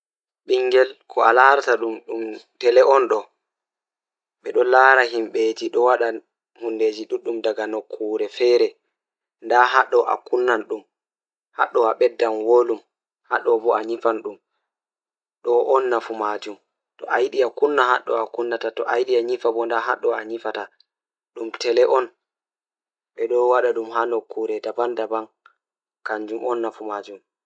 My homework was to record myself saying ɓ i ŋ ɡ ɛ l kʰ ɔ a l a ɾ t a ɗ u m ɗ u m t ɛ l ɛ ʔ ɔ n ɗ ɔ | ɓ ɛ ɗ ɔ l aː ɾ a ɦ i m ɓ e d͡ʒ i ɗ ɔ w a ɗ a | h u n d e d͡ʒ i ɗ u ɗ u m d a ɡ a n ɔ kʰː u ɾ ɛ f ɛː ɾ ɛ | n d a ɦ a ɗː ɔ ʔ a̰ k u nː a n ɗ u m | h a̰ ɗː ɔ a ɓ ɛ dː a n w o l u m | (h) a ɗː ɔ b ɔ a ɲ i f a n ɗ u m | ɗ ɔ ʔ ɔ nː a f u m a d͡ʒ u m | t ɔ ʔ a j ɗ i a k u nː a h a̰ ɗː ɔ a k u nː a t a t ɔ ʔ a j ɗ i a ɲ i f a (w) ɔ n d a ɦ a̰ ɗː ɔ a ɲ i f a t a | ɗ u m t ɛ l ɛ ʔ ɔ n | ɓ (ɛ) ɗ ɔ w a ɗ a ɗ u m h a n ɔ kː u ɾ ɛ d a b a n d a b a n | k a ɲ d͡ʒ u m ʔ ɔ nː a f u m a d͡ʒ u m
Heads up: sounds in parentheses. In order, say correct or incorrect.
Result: correct, incorrect: b, correct

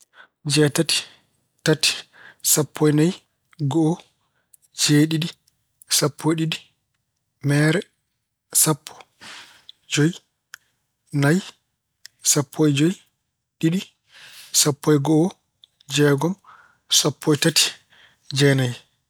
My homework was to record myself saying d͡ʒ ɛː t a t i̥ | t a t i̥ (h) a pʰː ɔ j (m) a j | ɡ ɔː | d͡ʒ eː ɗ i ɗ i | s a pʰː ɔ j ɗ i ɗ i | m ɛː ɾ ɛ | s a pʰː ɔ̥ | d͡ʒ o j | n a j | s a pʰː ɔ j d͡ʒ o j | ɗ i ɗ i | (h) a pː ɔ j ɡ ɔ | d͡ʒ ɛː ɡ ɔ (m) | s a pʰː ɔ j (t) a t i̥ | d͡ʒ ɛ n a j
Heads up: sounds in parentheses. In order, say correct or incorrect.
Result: incorrect: s, incorrect: n, incorrect: s, correct, correct

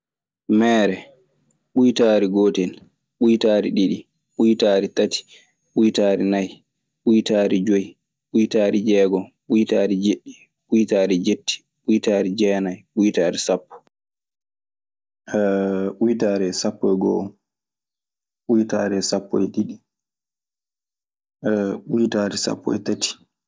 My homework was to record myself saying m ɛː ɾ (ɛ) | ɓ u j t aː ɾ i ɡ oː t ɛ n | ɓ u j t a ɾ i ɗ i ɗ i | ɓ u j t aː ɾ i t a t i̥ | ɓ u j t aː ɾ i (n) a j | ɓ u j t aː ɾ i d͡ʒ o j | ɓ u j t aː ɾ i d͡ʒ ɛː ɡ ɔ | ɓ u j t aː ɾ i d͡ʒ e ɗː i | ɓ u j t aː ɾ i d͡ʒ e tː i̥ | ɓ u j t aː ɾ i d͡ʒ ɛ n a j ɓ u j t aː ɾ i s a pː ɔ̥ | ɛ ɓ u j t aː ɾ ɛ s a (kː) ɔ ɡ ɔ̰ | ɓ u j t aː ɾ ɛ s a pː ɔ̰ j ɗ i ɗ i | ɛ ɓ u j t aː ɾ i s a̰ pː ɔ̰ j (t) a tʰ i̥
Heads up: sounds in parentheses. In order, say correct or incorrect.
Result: correct, correct, incorrect: pː, correct

